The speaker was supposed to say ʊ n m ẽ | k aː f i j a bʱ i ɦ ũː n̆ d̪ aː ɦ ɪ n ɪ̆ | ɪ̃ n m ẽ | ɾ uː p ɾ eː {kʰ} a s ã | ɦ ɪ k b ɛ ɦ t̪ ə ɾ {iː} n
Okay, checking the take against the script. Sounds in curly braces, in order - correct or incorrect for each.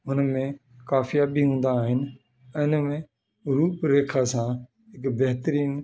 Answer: correct, correct

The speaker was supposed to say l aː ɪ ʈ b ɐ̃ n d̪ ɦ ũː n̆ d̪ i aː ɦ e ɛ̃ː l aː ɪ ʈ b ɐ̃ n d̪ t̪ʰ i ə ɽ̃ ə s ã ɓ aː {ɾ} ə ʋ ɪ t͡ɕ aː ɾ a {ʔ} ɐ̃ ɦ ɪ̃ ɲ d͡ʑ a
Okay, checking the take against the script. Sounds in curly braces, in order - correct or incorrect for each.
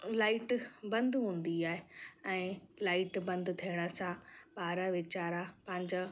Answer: correct, incorrect: p

